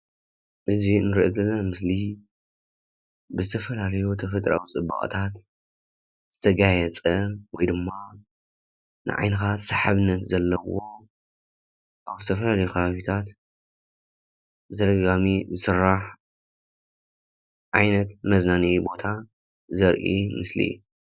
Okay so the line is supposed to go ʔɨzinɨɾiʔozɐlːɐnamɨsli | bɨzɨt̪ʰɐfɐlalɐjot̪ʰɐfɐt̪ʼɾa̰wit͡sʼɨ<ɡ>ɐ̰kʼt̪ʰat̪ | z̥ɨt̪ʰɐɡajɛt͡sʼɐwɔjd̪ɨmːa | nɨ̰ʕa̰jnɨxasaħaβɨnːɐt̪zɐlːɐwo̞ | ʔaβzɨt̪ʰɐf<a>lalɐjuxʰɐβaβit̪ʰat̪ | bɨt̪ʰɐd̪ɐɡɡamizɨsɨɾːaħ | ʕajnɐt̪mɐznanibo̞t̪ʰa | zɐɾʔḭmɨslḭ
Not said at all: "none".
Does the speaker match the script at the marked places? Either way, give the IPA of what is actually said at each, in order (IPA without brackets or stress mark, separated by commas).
b, ɐ